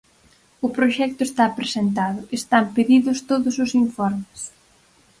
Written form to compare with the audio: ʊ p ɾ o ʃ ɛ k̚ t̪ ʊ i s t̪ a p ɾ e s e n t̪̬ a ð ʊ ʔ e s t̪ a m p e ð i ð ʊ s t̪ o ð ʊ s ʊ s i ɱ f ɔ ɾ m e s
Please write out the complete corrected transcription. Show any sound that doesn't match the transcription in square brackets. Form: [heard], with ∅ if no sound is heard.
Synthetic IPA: ʊ p ɾ o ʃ ɛ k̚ t̪ ʊ [e] s t̪ a p ɾ e s e n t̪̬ a ð ʊ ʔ e s t̪ a m p e ð i ð ʊ s t̪ o ð ʊ s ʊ s i ɱ f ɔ ɾ m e s